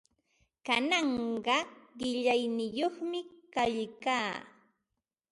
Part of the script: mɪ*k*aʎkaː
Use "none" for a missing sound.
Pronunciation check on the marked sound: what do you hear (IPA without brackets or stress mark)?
k